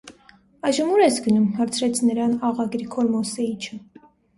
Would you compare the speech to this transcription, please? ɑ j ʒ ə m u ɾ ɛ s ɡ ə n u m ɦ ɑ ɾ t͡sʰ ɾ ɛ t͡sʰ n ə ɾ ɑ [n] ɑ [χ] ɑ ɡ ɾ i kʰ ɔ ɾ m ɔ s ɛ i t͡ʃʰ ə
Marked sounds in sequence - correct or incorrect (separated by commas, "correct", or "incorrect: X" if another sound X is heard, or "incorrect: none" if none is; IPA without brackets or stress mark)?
correct, incorrect: ʁ